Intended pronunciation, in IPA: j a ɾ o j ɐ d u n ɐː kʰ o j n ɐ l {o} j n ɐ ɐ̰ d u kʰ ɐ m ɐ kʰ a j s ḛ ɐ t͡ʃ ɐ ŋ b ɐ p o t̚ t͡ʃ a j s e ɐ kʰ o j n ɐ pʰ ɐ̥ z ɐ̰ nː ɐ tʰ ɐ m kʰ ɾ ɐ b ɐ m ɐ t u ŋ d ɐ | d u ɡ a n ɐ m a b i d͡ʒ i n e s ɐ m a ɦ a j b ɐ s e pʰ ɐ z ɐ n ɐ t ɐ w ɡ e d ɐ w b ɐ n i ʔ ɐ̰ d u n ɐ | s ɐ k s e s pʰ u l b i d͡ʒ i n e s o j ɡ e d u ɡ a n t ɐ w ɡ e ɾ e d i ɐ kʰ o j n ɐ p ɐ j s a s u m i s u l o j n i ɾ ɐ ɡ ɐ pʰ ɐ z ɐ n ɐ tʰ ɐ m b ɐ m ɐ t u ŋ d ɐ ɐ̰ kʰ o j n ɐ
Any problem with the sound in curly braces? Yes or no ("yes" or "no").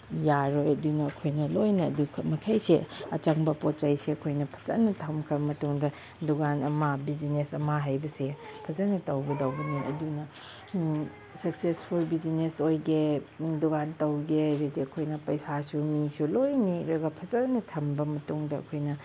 no